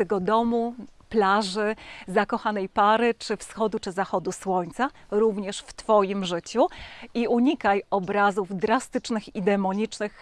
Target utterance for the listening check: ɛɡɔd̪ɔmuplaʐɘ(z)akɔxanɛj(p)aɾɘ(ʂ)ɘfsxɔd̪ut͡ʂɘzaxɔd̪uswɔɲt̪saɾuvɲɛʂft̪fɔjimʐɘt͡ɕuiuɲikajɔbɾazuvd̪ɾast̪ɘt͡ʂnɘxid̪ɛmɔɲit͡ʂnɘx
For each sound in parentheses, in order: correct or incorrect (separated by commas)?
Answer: correct, correct, incorrect